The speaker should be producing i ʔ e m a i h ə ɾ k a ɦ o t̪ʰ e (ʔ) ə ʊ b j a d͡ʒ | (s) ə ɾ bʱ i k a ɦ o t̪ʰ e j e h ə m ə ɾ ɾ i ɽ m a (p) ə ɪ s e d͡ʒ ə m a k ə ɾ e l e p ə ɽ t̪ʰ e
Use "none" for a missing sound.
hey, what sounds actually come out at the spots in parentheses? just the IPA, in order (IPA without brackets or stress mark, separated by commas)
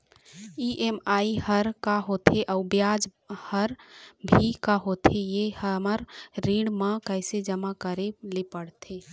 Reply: ʔ, h, k